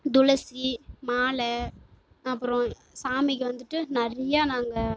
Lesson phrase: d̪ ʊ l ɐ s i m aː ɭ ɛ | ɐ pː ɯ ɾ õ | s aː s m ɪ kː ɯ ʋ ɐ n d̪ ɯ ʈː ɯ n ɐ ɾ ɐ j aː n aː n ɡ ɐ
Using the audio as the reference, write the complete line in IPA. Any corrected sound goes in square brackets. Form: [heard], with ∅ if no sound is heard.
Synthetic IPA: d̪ ʊ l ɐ s i m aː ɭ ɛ | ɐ pː ɯ ɾ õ | s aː [∅] m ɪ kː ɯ ʋ ɐ n d̪ ɯ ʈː ɯ n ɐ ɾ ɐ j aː n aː [ŋ] ɡ ɐ

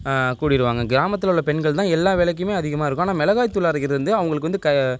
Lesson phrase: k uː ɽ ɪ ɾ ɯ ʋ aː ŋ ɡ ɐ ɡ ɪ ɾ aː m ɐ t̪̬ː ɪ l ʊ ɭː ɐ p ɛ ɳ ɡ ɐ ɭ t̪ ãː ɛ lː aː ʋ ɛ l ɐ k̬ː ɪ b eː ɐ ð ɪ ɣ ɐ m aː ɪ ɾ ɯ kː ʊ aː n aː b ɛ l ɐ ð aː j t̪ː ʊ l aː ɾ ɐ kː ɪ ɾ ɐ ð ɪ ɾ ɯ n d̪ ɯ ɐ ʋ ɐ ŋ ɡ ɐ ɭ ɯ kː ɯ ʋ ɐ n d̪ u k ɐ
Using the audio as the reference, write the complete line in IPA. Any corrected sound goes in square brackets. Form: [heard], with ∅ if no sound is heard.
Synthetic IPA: k uː ɽ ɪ ɾ ɯ ʋ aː ŋ ɡ ɐ ɡ ɪ ɾ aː m ɐ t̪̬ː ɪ l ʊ ɭː ɐ p ɛ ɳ ɡ ɐ ɭ t̪ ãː ɛ lː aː ʋ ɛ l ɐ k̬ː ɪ [m] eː ɐ ð ɪ ɣ ɐ m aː ɪ ɾ ɯ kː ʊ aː n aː [m] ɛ l ɐ [ɣ] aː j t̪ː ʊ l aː ɾ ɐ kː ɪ ɾ ɐ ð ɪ ɾ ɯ n d̪ ɯ ɐ ʋ ɐ ŋ ɡ ɐ ɭ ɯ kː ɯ ʋ ɐ n d̪ [ɯ] k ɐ

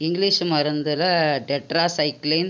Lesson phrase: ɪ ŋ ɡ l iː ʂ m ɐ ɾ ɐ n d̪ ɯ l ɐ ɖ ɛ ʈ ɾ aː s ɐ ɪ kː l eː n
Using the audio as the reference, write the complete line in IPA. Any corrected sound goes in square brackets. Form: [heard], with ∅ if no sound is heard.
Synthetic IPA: ɪ ŋ ɡ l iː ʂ m ɐ ɾ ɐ n d̪ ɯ l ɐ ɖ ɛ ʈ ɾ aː s ɐ ɪ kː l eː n

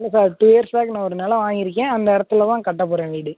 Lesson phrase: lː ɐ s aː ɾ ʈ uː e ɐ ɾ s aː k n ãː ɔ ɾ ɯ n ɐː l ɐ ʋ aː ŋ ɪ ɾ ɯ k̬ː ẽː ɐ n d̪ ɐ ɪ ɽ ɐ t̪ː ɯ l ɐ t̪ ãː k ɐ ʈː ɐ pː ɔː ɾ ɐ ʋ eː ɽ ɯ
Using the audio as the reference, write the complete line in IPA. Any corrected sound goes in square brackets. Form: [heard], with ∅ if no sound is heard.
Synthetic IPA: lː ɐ s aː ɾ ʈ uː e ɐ ɾ s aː k n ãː ɔ ɾ ɯ n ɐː l ɐ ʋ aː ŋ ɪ ɾ ɯ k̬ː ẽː ɐ n d̪ ɐ ɪ ɽ ɐ t̪ː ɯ l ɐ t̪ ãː k ɐ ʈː ɐ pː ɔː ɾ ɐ ʋ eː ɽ ɯ

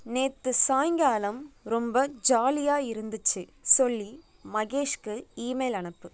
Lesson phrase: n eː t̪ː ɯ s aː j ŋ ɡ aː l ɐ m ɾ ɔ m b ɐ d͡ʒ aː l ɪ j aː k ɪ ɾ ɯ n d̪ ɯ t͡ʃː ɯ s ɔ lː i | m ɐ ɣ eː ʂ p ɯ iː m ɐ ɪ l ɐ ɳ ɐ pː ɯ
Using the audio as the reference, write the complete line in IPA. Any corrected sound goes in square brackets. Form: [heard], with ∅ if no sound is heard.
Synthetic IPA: n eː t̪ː ɯ s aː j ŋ ɡ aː l ɐ m ɾ ɔ m b ɐ d͡ʒ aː l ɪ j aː [∅] ɪ ɾ ɯ n d̪ ɯ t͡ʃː ɯ s ɔ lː i | m ɐ ɣ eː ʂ [k] ɯ iː m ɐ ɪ l ɐ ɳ ɐ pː ɯ

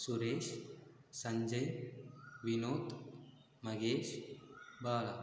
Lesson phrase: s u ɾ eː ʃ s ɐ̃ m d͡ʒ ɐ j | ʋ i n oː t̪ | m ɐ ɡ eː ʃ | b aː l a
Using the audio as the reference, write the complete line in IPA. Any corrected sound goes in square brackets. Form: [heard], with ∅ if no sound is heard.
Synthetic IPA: s u ɾ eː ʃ s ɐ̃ [ɲ] d͡ʒ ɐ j | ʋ i n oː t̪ | m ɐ ɡ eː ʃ | b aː l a

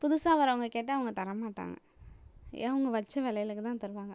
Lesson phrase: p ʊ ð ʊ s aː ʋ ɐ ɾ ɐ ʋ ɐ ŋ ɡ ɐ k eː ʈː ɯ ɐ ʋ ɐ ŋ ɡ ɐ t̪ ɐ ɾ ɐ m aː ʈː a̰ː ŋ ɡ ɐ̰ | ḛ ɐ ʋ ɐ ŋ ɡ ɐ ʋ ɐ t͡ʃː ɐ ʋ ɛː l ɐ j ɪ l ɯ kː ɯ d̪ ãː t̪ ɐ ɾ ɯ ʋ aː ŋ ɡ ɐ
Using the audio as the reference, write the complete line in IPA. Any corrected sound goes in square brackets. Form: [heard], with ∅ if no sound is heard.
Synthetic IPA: p ʊ ð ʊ s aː ʋ ɐ ɾ ɐ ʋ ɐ ŋ ɡ ɐ k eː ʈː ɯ ɐ ʋ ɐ ŋ ɡ ɐ t̪ ɐ ɾ ɐ m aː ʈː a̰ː ŋ ɡ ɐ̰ | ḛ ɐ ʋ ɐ ŋ ɡ ɐ ʋ ɐ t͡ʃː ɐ ʋ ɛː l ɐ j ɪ l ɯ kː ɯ [t̪] ãː t̪ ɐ ɾ ɯ ʋ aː ŋ ɡ ɐ

